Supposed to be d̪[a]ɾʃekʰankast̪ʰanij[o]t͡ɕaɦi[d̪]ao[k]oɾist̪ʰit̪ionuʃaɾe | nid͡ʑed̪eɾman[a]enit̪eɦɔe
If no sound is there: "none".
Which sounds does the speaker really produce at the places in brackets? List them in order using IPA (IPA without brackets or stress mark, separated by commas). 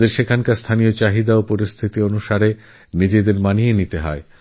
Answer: e, o, d̪, p, i